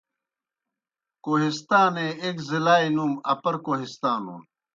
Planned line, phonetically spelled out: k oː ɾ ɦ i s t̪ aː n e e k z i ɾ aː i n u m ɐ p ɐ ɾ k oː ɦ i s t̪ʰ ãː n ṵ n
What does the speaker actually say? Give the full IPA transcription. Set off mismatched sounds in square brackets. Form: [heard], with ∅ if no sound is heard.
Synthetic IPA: k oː [∅] ɦ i s t̪ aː n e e k z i [l] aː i n u m ɐ p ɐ ɾ k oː ɦ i s [t̪] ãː n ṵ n